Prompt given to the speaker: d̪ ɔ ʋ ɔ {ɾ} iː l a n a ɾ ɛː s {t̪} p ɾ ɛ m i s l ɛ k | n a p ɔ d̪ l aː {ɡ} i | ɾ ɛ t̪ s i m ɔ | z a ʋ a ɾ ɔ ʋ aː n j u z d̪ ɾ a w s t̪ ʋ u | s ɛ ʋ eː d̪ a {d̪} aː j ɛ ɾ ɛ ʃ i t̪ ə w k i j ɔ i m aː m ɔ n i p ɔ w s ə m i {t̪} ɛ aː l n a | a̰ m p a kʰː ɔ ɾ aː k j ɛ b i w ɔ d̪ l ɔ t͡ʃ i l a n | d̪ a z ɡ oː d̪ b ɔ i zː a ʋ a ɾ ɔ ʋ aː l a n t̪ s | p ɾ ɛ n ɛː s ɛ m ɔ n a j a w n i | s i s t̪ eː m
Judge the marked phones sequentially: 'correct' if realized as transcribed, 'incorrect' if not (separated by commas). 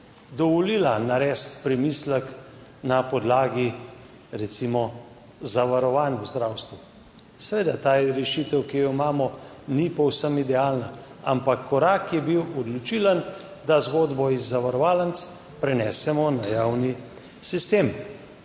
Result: incorrect, correct, correct, incorrect, incorrect